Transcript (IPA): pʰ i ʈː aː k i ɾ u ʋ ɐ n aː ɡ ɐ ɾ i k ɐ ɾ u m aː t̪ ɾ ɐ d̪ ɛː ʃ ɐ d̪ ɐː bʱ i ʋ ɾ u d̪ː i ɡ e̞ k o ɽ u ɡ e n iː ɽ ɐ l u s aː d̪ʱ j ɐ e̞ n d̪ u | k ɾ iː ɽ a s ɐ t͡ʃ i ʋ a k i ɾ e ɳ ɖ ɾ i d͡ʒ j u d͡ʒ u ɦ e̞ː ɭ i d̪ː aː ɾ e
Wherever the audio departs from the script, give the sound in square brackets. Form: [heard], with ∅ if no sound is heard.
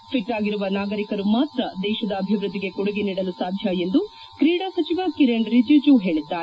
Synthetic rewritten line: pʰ i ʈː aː [ɡ] i ɾ u ʋ ɐ n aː ɡ ɐ ɾ i k ɐ ɾ u m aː t̪ ɾ ɐ d̪ ɛː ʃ ɐ d̪ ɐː bʱ i ʋ ɾ u d̪ː i ɡ e̞ k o ɽ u ɡ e n iː ɽ ɐ l u s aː d̪ʱ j ɐ e̞ n d̪ u | k ɾ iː ɽ a s ɐ t͡ʃ i ʋ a k i ɾ e ɳ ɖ ɾ i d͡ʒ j u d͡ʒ u ɦ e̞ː ɭ i d̪ː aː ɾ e